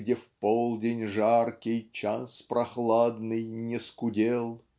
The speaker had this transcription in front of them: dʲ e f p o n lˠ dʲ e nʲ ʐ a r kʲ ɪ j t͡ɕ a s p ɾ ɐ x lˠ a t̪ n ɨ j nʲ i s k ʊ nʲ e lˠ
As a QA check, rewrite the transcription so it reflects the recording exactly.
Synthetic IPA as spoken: dʲ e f p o lˠ dʲ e nʲ ʐ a r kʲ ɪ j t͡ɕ a s p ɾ ɐ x lˠ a d̪ n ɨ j nʲ ɪ s k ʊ dʲ e lˠ